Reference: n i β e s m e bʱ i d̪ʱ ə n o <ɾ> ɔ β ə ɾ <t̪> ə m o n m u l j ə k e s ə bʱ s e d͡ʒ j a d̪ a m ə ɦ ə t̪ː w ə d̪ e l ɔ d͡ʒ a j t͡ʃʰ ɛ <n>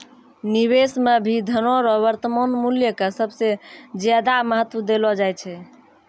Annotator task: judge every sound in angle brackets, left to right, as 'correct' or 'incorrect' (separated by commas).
correct, correct, incorrect